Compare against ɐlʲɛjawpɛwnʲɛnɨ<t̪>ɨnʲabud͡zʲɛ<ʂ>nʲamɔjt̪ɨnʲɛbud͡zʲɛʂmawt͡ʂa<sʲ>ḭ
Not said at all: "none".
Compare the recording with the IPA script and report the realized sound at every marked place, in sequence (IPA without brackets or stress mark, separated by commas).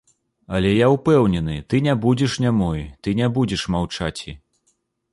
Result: t̪, ʂ, t͡sʲ